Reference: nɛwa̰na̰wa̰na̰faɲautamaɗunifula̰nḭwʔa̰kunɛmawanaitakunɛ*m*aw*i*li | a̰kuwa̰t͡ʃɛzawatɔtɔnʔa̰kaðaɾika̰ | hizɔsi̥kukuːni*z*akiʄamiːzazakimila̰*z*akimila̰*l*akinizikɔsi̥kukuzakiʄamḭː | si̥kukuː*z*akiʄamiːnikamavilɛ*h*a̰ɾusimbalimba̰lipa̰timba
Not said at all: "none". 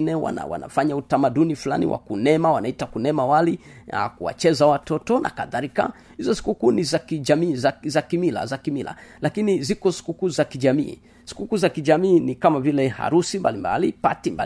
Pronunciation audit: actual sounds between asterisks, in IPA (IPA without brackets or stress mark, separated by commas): m, a, z, z, l, z, h